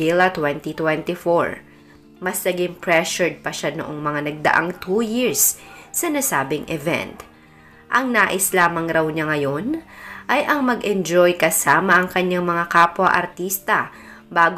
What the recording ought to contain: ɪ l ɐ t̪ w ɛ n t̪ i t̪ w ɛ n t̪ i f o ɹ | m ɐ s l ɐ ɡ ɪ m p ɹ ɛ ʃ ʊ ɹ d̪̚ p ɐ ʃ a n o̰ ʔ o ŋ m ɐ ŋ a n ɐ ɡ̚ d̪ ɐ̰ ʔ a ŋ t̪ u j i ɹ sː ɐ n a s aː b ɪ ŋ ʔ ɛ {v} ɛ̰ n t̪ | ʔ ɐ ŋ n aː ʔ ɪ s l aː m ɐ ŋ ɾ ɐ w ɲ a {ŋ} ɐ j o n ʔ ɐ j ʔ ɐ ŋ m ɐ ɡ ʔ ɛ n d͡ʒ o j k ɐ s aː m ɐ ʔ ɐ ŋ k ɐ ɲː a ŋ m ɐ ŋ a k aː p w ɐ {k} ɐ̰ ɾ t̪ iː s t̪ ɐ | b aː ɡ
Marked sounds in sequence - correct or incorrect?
correct, correct, incorrect

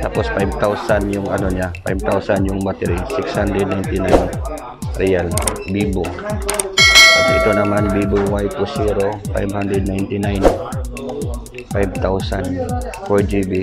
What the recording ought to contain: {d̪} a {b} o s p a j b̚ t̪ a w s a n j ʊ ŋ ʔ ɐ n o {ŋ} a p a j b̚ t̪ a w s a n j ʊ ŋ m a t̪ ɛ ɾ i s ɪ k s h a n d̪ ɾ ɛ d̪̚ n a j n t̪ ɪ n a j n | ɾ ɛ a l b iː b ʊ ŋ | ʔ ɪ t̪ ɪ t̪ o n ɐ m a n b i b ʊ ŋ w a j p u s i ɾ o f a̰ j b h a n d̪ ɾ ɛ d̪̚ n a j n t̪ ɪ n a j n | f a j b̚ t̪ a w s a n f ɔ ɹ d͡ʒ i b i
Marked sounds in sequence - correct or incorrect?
incorrect, incorrect, incorrect

